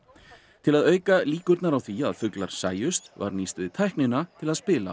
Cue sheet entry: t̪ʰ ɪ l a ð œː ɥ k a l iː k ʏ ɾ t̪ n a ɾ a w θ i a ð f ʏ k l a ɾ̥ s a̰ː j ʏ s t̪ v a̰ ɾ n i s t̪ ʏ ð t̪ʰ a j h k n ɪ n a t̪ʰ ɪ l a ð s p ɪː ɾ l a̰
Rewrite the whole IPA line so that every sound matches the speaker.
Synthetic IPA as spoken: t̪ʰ ɪ l a ð œː ɥ k a l iː k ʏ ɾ t̪ n a ɾ a w θ i a ð f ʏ k l a ɾ̥ s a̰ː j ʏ s t̪ v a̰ ɾ n i s t̪ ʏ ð t̪ʰ a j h k n ɪ n a t̪ʰ ɪ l a ð s p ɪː l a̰